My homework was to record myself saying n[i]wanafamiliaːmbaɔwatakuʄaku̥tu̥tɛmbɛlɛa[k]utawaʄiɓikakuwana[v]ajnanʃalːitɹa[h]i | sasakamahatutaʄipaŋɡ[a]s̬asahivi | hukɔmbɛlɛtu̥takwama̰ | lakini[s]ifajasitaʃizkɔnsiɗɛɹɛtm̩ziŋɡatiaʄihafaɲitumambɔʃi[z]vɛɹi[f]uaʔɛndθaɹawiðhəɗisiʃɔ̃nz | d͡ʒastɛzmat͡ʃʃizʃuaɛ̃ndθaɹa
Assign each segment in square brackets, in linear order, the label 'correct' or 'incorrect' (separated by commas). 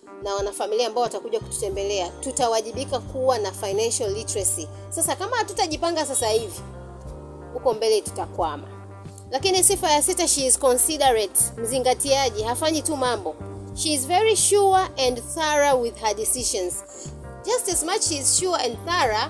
incorrect, incorrect, incorrect, incorrect, correct, correct, correct, incorrect